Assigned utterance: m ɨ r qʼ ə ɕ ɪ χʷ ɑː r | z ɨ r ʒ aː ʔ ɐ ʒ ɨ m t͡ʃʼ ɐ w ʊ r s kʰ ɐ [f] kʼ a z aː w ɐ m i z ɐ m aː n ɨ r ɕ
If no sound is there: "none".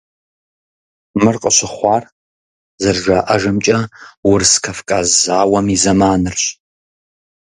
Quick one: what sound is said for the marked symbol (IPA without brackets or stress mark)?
f